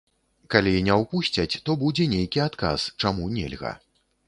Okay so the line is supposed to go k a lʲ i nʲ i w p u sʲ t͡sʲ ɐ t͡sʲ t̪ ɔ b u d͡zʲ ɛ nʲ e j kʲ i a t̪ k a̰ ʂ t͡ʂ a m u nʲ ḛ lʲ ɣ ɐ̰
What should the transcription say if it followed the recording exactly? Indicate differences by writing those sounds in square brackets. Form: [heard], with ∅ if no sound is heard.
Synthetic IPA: k a lʲ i nʲ [ɛ] w p u sʲ t͡sʲ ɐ t͡sʲ t̪ ɔ b u d͡zʲ ɛ nʲ e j kʲ i a t̪ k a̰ [s] t͡ʂ a m u nʲ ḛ lʲ ɣ ɐ̰